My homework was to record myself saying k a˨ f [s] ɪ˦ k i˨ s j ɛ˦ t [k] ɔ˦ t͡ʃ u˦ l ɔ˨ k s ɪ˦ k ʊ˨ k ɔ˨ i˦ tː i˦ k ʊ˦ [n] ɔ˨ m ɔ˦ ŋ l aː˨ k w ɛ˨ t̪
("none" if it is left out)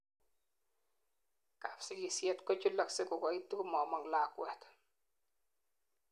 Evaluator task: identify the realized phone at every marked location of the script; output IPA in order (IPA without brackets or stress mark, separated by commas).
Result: s, k, m